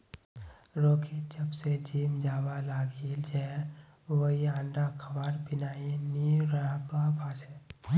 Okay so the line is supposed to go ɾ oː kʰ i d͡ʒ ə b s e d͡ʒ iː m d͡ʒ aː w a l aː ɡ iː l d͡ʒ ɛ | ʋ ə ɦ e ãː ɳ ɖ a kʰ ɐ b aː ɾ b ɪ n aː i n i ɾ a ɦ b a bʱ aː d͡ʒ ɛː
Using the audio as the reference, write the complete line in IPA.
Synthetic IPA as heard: ɾ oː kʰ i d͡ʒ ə b s e d͡ʒ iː m d͡ʒ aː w a l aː ɡ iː l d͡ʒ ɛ | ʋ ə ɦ i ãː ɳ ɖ a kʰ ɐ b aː ɾ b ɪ n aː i n i ɾ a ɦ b a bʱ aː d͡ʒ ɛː